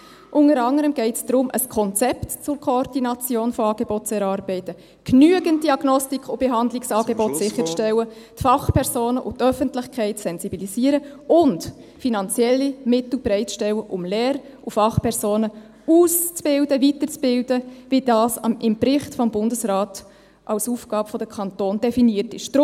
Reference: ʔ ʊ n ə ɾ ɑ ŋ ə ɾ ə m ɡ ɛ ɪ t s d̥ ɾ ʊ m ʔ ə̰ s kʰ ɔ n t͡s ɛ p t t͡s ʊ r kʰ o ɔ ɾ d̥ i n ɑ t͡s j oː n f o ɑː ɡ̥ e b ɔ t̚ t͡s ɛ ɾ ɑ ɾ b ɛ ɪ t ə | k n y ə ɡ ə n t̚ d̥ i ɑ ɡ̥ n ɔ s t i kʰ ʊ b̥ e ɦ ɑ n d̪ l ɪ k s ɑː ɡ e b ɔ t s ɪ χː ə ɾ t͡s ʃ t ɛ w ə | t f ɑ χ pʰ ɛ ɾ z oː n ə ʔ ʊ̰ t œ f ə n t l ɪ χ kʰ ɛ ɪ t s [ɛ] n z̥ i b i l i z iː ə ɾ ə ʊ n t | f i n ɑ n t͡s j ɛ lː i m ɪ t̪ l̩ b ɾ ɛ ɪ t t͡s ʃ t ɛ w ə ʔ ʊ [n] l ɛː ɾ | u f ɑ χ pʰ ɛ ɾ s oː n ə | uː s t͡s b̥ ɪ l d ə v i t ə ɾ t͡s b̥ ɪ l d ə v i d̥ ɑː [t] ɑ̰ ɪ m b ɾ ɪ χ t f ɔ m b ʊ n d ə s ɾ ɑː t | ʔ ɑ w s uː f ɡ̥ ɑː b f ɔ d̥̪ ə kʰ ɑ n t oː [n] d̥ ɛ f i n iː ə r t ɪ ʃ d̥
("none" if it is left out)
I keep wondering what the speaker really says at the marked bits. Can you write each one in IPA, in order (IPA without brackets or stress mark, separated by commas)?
ɛ, m, s, n